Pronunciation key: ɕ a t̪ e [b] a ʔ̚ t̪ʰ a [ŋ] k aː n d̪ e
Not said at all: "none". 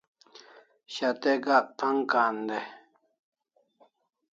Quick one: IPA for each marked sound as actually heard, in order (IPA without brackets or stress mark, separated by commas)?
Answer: ɡ, ŋ